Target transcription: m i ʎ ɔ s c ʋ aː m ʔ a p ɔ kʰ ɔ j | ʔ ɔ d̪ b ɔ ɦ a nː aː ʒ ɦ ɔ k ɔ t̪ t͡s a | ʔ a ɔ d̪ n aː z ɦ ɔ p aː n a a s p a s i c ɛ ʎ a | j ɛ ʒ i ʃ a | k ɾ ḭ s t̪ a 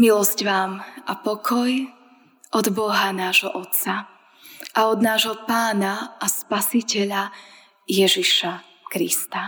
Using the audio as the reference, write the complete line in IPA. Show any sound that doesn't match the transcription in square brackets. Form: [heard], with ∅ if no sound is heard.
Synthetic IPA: m i [l] ɔ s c ʋ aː m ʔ a p ɔ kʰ ɔ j | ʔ ɔ d̪ b ɔ ɦ a [n] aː ʒ ɦ ɔ [ʔ] ɔ t̪ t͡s a | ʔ a ɔ d̪ n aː [ʒ] ɦ ɔ p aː n a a s p a s i c ɛ ʎ a | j ɛ ʒ i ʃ a | k ɾ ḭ s t̪ a